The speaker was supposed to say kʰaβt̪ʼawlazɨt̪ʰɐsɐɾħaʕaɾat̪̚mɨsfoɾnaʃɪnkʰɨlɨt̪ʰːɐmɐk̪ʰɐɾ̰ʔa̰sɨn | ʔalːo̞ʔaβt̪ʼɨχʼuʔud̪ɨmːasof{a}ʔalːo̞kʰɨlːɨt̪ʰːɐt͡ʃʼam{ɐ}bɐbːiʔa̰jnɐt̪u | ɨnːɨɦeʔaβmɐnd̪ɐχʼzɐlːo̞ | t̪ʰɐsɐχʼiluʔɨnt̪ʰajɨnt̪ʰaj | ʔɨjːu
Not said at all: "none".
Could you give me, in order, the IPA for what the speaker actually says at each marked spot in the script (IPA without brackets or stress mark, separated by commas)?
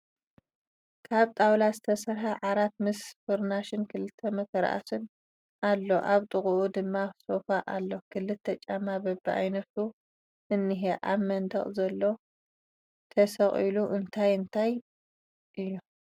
a, a